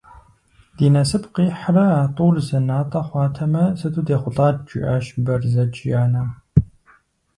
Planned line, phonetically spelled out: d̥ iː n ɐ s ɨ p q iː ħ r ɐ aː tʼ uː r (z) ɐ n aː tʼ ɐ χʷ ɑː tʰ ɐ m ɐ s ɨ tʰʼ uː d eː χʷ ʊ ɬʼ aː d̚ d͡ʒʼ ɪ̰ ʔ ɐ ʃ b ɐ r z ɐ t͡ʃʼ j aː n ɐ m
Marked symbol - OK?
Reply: yes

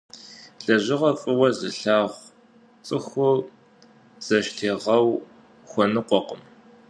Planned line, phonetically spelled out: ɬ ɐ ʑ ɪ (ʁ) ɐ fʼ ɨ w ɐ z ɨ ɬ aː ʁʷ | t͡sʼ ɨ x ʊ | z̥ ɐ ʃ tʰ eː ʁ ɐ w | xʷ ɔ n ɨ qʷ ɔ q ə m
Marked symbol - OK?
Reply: yes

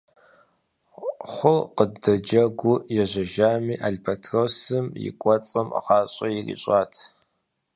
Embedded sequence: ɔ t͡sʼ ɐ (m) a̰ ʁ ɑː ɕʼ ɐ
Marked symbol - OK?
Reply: yes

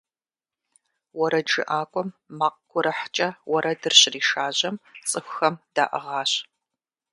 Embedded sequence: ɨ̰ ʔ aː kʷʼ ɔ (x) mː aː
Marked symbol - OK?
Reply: no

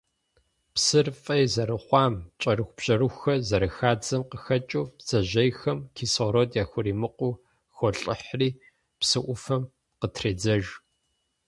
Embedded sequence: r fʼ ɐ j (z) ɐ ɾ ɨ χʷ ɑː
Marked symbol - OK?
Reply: yes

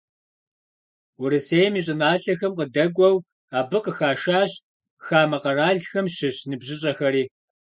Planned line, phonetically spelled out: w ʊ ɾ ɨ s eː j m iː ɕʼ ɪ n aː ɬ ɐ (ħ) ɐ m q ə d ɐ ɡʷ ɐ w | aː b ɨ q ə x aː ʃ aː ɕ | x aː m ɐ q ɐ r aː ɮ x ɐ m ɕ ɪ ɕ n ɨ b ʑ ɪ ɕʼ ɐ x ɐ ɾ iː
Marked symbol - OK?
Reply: no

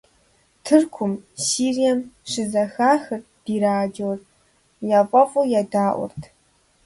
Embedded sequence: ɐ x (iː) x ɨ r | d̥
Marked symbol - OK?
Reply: no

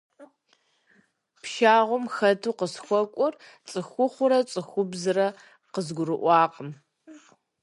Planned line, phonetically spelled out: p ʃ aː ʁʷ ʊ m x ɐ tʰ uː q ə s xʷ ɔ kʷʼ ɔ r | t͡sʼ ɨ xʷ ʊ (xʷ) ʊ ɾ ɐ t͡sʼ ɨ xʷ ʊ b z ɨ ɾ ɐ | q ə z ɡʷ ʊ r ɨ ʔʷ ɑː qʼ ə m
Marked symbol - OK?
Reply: no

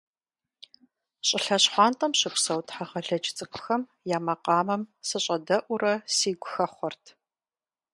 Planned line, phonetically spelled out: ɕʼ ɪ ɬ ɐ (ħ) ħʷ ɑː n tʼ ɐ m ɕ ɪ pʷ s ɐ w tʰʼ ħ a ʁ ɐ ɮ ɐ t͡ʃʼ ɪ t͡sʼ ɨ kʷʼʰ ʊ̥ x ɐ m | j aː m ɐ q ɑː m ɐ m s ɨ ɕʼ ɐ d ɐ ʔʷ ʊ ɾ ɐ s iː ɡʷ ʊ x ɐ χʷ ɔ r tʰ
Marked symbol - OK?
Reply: no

